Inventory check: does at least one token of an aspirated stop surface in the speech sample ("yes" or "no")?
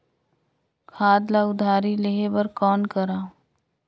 yes